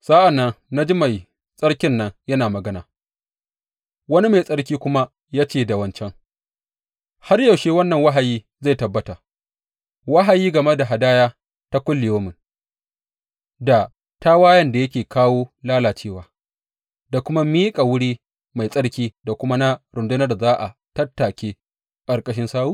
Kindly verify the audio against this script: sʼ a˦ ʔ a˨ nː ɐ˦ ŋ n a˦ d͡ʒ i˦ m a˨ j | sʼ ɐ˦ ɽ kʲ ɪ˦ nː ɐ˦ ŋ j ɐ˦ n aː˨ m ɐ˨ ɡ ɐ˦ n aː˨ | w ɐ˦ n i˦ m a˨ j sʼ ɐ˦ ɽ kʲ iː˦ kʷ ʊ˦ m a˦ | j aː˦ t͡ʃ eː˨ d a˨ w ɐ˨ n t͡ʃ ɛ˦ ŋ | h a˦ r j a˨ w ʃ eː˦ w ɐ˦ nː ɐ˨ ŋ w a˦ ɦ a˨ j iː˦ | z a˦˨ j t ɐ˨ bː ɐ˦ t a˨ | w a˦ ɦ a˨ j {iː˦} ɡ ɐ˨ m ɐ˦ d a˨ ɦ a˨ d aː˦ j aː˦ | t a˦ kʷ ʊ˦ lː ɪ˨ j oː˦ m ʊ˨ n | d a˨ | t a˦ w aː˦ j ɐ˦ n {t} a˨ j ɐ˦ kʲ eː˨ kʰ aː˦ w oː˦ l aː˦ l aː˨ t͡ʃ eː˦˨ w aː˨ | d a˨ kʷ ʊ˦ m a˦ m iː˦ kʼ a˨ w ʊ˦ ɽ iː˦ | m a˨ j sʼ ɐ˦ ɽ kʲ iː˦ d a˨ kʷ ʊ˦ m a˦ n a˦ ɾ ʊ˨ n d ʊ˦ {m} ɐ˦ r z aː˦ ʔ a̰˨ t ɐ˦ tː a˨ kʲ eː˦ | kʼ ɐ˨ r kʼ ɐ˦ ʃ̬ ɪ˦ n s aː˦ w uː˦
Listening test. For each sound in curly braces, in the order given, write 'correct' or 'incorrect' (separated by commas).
correct, incorrect, incorrect